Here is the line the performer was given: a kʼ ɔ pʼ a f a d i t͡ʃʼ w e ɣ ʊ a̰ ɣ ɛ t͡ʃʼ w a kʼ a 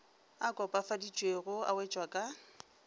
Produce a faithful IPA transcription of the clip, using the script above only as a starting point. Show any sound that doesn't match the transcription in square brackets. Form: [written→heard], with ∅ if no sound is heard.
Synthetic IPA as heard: a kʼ ɔ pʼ a f a d i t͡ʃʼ w e ɣ ʊ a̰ [ɣ→w] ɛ t͡ʃʼ w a kʼ a